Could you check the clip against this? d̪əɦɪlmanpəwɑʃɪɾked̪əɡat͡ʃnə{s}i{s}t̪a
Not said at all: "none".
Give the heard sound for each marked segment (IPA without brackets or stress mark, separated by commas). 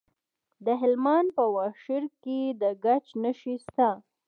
ʃ, s